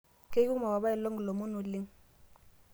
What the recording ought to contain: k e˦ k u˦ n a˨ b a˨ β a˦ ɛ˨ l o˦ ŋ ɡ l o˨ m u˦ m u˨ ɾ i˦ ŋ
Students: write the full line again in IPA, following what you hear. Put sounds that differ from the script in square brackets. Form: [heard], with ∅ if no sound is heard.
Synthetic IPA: k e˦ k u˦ [m] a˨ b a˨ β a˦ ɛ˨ l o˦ ŋ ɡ l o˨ m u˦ [n] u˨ [l] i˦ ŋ